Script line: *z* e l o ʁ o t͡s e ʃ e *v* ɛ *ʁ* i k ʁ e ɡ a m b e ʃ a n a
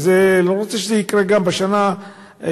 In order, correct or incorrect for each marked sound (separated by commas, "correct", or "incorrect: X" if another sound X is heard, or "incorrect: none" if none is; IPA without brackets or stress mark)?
correct, incorrect: z, incorrect: none